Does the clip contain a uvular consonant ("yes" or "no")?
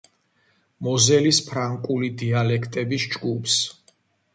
no